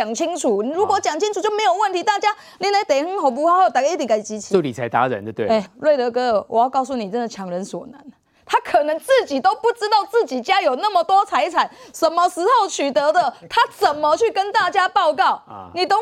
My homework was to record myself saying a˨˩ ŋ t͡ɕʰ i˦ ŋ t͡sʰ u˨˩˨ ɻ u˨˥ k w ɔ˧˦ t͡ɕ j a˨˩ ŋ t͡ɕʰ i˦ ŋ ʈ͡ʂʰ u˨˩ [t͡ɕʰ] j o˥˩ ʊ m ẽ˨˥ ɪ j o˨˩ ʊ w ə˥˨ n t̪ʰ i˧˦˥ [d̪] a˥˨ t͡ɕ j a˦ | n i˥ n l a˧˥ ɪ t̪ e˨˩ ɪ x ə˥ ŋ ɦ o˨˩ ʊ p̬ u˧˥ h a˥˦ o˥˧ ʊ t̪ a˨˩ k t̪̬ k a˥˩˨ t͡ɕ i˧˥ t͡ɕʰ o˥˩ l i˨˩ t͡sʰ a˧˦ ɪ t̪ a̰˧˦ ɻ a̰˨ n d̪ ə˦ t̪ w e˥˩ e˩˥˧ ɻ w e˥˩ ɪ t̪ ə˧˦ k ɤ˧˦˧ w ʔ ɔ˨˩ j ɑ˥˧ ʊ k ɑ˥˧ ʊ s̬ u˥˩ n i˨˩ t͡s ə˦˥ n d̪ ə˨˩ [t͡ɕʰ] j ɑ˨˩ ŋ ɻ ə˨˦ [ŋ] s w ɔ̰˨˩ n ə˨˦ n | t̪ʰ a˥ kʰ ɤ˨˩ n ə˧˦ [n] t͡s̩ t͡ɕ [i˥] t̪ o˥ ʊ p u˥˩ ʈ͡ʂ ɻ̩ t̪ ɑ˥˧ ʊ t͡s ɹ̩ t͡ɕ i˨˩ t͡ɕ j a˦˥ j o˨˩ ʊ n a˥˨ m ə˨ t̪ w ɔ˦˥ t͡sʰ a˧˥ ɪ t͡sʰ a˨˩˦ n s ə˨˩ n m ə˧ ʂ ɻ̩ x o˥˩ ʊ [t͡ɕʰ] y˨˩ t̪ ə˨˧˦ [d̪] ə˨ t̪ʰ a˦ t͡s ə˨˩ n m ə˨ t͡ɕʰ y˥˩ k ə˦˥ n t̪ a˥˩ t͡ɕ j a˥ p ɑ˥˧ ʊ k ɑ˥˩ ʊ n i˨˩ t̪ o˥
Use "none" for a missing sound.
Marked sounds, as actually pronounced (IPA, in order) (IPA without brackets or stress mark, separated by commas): t͡ɕ, t̪, t͡ɕʰ, n, ŋ, i˨˩, t͡ɕʰ, d̪